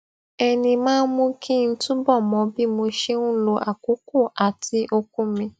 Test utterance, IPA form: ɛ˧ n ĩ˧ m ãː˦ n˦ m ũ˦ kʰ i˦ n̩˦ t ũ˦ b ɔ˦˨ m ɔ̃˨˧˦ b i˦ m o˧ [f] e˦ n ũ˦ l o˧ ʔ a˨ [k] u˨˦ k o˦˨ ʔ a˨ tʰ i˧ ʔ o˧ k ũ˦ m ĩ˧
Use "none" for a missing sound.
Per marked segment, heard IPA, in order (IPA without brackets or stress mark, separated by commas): ʃ, k